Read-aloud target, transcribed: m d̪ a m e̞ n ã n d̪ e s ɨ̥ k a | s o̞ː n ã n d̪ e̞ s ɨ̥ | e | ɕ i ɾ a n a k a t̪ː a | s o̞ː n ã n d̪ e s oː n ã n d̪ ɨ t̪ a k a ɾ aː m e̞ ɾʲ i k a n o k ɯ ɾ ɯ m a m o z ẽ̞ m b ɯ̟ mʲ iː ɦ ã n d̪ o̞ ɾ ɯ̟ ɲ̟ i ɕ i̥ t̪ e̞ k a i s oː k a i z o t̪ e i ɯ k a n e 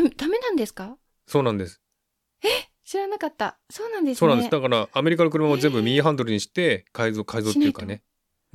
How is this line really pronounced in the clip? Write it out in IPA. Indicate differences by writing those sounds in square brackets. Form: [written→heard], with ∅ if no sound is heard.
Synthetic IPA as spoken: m d̪ a m e̞ n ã n d̪ e s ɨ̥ k a | s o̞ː n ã n d̪ e̞ s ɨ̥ | e | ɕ i ɾ a n a k a t̪ː a | s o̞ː n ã n d̪ e s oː n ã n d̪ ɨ [t̪→d̪] a k a ɾ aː m e̞ ɾʲ i k a n o k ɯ ɾ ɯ m a m o z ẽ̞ m b ɯ̟ mʲ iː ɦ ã n d̪ o̞ ɾ ɯ̟ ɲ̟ i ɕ i̥ t̪ e̞ k a i [s→z] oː k a i z o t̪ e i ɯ k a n e